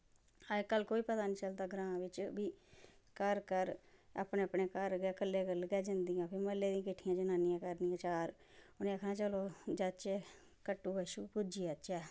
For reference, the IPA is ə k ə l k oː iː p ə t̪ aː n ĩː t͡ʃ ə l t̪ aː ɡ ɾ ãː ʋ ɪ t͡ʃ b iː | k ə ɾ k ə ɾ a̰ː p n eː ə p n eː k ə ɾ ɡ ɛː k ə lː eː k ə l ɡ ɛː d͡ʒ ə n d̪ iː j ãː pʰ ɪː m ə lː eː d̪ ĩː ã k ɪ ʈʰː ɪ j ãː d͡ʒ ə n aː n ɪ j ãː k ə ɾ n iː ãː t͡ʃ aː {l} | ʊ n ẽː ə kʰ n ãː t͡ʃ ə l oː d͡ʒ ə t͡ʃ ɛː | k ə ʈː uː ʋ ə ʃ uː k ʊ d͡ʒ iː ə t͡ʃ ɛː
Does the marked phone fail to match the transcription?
yes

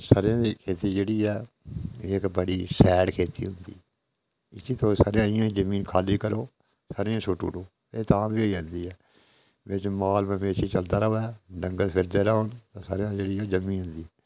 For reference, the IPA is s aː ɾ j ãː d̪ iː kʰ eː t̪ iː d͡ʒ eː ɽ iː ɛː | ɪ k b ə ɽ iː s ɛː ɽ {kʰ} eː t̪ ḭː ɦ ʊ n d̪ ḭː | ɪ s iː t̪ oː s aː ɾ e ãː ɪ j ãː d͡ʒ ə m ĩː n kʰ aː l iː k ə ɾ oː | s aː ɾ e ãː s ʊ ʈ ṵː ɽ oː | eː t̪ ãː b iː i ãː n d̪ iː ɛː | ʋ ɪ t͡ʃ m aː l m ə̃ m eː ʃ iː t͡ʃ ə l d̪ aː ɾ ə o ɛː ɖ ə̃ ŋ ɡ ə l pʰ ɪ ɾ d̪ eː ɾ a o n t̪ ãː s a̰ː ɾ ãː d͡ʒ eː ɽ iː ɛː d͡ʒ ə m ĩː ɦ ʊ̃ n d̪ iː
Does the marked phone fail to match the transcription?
no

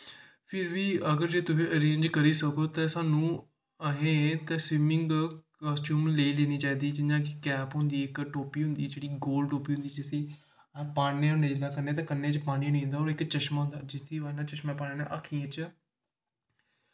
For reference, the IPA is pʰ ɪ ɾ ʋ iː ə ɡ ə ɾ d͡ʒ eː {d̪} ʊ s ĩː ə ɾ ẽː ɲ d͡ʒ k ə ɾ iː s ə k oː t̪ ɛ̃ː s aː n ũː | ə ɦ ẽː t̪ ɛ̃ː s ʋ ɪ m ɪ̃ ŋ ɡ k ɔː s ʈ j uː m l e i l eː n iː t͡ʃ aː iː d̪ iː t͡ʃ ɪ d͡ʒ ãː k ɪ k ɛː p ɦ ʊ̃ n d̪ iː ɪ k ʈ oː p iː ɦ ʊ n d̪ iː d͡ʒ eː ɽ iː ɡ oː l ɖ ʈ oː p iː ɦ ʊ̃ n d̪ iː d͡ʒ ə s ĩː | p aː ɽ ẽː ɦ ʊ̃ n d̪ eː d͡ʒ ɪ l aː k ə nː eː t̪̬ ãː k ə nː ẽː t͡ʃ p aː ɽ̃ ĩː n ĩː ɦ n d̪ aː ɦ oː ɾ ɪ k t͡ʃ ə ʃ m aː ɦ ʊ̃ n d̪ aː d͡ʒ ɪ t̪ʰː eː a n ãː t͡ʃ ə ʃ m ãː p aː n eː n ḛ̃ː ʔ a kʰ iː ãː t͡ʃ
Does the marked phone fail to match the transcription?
yes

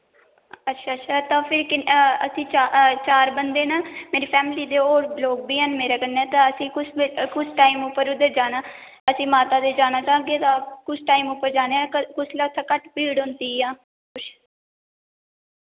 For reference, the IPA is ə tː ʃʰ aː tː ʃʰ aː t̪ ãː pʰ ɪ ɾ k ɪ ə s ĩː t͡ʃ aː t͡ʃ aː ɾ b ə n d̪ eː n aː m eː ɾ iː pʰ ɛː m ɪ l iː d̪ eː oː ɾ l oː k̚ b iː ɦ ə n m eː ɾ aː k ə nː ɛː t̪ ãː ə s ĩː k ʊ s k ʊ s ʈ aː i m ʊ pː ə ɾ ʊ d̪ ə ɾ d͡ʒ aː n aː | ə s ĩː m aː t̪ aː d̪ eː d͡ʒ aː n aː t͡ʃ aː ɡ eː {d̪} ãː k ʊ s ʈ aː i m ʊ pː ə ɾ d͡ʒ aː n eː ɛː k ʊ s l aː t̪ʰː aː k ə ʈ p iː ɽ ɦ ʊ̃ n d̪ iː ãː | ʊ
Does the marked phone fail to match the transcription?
yes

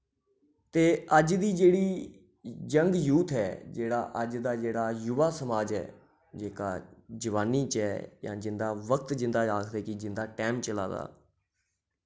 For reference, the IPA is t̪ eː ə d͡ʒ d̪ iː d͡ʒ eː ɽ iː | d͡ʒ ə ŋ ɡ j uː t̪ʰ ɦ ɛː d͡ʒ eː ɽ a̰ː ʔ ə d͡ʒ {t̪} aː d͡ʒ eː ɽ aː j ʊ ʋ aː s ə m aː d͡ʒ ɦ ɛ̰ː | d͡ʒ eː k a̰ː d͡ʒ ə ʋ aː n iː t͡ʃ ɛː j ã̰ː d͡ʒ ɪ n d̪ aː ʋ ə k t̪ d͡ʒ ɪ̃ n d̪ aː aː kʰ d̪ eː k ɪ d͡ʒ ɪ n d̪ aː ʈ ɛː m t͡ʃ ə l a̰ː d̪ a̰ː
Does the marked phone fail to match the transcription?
yes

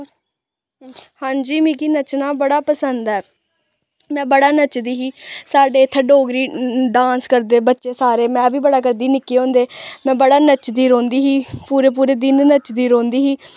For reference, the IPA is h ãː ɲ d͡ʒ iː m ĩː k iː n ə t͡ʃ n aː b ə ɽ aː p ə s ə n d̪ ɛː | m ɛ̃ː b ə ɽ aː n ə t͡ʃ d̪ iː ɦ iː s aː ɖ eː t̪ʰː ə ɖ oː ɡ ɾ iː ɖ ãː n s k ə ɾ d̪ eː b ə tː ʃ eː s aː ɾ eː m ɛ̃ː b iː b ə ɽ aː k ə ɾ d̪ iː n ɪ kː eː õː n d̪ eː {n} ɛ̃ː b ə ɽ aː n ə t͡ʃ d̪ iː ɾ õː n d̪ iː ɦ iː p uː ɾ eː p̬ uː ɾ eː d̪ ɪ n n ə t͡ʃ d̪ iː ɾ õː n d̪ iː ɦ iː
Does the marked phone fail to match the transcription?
yes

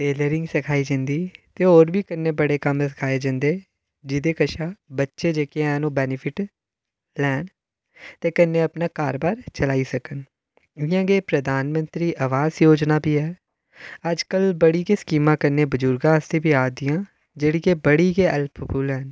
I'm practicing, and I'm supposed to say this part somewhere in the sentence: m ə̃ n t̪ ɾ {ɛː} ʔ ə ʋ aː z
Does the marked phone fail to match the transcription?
yes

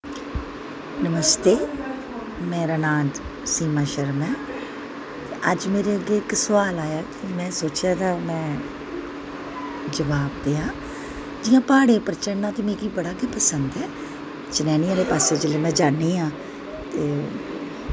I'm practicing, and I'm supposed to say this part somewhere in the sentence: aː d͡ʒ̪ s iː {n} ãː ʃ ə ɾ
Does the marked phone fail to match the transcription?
yes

